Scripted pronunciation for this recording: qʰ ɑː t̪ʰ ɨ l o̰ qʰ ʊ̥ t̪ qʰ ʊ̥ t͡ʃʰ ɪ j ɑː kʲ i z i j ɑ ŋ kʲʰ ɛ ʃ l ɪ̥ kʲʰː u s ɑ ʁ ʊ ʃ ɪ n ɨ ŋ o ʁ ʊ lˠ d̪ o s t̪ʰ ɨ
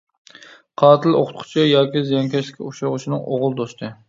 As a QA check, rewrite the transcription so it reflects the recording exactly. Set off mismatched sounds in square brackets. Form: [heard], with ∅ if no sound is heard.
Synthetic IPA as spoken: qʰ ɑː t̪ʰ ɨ l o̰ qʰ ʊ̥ t̪ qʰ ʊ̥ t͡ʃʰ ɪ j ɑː kʲ i z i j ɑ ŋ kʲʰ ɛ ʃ l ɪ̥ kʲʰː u [ʃ] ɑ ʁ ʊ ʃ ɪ n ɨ ŋ o ʁ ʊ lˠ d̪ o s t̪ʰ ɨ